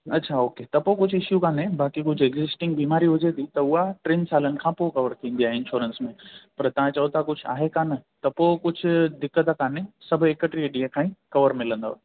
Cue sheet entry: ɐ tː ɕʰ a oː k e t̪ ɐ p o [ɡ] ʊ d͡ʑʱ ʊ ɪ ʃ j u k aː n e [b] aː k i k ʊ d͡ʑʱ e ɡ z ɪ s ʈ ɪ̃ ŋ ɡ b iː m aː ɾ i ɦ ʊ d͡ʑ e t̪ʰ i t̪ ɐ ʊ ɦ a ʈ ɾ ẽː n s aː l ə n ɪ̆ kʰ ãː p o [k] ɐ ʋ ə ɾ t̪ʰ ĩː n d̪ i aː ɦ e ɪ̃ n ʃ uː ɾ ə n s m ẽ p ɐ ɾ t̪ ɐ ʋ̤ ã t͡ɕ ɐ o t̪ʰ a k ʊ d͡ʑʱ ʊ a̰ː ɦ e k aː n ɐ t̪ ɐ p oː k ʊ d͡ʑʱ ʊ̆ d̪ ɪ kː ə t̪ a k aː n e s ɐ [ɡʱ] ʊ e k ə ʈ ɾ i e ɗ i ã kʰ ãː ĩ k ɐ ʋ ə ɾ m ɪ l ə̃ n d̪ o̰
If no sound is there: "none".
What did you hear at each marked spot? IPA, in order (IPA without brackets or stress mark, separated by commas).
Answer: k, b, k, bʱ